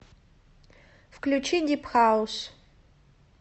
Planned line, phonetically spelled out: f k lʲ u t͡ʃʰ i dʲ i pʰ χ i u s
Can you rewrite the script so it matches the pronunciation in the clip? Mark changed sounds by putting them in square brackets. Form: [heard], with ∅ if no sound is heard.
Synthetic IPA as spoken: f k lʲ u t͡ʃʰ i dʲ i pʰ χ [a] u s

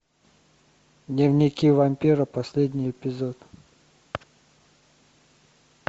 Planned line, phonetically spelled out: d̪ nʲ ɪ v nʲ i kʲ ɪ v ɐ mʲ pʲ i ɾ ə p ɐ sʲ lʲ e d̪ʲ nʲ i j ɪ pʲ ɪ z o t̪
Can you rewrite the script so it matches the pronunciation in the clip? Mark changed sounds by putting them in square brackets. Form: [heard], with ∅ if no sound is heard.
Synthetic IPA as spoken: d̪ nʲ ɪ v nʲ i kʲ [i] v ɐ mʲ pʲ i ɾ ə p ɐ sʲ lʲ e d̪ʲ nʲ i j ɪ pʲ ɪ z o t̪

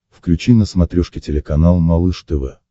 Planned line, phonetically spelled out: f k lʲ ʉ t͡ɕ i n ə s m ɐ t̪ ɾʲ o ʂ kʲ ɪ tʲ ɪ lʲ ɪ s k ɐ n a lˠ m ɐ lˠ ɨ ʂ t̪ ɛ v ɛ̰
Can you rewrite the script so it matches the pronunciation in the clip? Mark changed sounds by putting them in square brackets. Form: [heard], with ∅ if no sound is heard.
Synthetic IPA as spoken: f k lʲ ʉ t͡ɕ i n ə s m ɐ t̪ ɾʲ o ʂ kʲ ɪ tʲ ɪ lʲ ɪ [∅] k ɐ n a lˠ m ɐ lˠ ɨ ʂ t̪ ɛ v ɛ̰

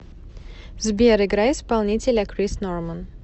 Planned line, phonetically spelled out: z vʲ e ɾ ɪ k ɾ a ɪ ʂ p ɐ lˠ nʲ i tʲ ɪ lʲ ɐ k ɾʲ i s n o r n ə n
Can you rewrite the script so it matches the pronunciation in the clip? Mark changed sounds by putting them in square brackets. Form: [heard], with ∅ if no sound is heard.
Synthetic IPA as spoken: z [bʲ] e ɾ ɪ [ɡ] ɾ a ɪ [s] p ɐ lˠ nʲ i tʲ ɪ lʲ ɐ k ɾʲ i s n o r [m] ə n

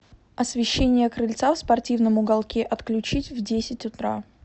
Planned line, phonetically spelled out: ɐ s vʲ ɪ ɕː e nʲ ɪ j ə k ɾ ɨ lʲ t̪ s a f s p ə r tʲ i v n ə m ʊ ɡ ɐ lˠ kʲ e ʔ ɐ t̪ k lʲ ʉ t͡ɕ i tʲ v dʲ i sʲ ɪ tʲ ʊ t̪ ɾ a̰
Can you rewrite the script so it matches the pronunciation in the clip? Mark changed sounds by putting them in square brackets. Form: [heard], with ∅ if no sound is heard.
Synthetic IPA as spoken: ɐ s vʲ ɪ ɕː e nʲ ɪ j ə k ɾ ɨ lʲ t̪ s a f s p [ɐ] r tʲ i v n ə m ʊ ɡ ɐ lˠ kʲ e ʔ ɐ t̪ k lʲ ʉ t͡ɕ i tʲ v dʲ [e] sʲ ɪ tʲ ʊ t̪ ɾ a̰

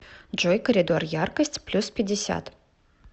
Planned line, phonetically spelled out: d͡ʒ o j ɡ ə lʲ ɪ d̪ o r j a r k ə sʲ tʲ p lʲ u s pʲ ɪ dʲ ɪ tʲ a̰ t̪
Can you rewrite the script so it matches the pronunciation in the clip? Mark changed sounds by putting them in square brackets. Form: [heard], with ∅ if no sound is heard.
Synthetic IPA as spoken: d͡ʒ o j [k] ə [ɾʲ] ɪ d̪ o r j a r k ə sʲ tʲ p lʲ u s pʲ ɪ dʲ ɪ [sʲ] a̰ t̪

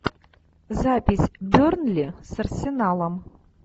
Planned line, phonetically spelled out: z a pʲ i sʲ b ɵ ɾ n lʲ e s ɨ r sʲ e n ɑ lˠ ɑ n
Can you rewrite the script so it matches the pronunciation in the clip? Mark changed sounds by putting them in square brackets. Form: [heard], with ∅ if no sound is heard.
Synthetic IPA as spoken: z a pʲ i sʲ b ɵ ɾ n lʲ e s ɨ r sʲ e n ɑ lˠ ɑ [m]

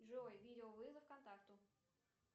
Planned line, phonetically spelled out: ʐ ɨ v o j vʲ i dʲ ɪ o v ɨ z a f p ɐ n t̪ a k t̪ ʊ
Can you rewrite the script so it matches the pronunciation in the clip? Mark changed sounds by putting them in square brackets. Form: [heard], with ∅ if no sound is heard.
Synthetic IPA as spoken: ʐ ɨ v o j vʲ i dʲ ɪ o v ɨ z [ə] f [k] ɐ n t̪ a k t̪ ʊ

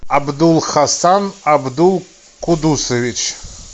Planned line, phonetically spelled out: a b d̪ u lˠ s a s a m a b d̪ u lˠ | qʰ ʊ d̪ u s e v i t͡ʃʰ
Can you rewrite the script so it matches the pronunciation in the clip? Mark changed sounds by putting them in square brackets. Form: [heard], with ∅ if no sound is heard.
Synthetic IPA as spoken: a b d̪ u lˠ [χ] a s a [n] a b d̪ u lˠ | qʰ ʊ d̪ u s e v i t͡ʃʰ

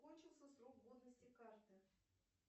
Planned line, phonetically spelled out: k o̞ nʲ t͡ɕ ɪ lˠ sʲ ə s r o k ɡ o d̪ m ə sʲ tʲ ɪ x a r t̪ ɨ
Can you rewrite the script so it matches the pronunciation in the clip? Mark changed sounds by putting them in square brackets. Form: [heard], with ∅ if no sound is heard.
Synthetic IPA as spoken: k o̞ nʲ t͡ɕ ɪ lˠ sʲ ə s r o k ɡ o d̪ [n] ə sʲ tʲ ɪ [k] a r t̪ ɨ

